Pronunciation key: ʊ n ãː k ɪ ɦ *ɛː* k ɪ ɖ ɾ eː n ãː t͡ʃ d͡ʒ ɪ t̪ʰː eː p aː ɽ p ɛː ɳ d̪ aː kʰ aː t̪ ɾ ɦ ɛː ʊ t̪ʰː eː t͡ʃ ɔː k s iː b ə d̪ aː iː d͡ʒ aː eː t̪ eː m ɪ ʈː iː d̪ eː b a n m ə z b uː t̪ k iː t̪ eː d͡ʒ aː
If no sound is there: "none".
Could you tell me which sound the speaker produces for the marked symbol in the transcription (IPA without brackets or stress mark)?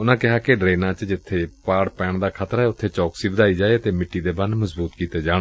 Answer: aː